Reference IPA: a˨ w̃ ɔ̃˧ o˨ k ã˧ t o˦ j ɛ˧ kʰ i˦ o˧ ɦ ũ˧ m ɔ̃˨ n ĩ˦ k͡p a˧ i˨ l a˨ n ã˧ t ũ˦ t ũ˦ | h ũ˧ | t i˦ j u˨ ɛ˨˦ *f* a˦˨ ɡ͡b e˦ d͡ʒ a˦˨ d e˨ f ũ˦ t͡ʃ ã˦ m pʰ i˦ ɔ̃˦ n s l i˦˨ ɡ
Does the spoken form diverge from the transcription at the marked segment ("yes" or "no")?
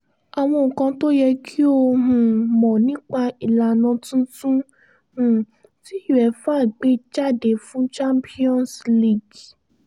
no